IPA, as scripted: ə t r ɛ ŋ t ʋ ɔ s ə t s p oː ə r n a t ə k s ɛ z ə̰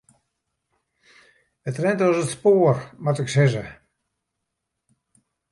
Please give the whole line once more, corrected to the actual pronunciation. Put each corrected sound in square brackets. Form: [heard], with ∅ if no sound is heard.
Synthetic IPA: ə t r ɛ [n] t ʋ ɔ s ə t s p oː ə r [m] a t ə k s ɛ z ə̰